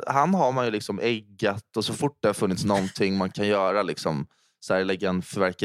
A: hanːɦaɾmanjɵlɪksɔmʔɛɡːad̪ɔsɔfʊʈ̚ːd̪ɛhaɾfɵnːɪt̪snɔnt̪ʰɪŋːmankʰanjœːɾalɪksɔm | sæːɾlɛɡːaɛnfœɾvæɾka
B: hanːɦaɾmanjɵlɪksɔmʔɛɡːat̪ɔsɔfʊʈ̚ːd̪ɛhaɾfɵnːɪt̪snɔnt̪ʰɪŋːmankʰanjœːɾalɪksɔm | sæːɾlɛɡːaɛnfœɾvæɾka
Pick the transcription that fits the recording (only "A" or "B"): B